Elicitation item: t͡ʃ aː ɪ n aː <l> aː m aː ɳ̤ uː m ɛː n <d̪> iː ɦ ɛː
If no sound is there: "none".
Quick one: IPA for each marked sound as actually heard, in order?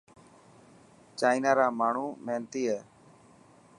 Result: ɾ, t̪

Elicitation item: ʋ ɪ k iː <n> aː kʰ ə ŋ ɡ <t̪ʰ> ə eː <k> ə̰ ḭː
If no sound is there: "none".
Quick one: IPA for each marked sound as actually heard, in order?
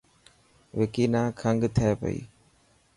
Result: n, t̪ʰ, p

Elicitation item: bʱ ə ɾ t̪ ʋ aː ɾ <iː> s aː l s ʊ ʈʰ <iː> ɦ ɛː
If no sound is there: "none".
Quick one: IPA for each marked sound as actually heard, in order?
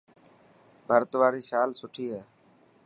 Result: iː, iː

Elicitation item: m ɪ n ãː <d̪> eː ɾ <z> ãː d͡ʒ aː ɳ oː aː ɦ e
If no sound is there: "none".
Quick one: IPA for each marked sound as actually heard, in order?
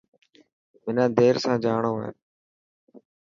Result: d̪, s

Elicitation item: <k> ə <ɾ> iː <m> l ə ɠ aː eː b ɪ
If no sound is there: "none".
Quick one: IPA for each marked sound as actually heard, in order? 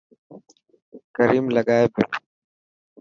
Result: k, ɾ, m

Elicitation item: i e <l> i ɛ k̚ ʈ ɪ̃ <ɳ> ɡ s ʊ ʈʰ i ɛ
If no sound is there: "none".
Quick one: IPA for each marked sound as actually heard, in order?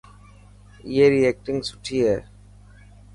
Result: ɾ, ŋ

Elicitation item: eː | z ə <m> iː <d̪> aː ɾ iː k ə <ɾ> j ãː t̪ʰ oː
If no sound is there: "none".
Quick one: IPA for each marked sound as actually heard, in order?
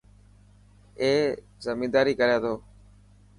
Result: m, d̪, ɾ

